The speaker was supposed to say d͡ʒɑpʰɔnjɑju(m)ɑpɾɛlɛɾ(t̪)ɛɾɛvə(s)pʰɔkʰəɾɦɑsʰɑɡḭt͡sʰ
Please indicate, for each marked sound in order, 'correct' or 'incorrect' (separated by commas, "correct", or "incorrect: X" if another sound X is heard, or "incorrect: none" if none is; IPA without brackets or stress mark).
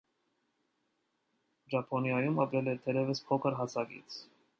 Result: correct, incorrect: t̪ʰ, correct